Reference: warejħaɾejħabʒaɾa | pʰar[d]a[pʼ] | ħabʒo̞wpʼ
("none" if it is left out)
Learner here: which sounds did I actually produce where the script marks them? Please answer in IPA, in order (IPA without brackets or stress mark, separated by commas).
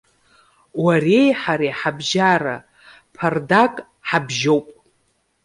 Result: d, kʼ